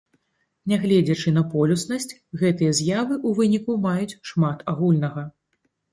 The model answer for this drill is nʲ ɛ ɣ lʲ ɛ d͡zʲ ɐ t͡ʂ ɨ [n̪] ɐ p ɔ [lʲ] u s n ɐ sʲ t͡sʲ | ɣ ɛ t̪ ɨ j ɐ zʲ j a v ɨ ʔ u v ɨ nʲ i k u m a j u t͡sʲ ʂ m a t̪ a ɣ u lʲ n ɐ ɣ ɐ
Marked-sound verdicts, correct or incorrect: correct, correct

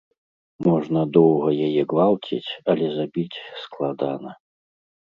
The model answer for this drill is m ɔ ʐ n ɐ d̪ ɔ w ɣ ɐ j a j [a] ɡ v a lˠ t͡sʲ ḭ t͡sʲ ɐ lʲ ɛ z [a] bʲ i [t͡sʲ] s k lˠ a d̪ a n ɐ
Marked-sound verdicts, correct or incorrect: incorrect, correct, correct

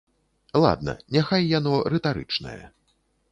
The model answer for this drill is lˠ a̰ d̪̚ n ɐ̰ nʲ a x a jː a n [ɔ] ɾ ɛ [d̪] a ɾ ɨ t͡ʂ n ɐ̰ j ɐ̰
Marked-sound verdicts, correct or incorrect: correct, incorrect

